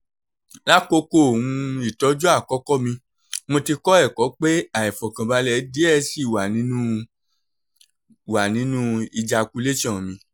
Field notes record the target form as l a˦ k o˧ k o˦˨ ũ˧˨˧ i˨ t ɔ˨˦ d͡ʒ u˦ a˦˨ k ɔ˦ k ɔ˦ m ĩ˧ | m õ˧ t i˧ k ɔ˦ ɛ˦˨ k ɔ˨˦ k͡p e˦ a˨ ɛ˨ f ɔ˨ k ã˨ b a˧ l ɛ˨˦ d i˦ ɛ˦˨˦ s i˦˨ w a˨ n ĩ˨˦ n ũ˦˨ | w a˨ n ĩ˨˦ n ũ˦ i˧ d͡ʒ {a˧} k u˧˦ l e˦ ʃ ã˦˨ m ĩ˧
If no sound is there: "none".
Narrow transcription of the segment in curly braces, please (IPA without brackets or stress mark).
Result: a˧